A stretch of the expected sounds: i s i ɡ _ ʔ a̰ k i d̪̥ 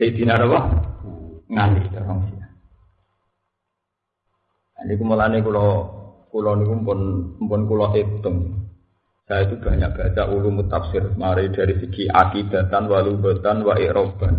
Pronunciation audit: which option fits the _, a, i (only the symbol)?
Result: i